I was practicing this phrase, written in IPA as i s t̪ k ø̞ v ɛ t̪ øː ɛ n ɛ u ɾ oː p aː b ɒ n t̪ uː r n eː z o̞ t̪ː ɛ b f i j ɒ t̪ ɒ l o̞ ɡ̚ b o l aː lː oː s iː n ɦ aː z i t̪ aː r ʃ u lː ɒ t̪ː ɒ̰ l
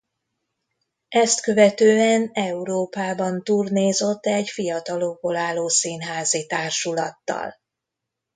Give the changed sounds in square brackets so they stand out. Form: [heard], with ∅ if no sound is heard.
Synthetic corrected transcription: [ɛ] s t̪ k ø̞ v ɛ t̪ øː ɛ n ɛ u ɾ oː p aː b ɒ n t̪ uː r n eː z o̞ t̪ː ɛ [ɟ] f i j ɒ t̪ ɒ l o̞ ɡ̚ b o l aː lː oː s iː n ɦ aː z i t̪ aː r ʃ u [l] ɒ t̪ː ɒ̰ l